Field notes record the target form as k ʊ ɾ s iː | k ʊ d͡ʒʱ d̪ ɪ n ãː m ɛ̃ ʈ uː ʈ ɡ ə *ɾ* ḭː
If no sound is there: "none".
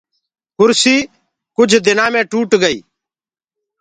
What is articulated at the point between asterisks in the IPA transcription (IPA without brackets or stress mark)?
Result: none